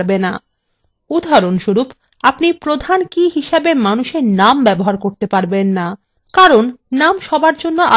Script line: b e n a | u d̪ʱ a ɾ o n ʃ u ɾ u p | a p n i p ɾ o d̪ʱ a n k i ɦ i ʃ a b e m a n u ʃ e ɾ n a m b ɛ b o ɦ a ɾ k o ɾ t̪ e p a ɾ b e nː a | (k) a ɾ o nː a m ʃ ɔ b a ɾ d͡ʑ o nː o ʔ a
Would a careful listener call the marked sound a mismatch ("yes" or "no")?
no